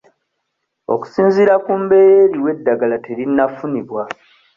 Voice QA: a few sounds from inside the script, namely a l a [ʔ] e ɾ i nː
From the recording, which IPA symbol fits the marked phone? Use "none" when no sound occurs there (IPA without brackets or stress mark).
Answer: t